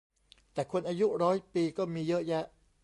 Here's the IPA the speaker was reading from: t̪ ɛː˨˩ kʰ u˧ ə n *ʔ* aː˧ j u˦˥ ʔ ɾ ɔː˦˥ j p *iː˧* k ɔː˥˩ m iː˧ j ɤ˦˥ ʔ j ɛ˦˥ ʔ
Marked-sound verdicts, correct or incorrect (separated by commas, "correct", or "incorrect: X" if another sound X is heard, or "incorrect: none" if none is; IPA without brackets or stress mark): correct, correct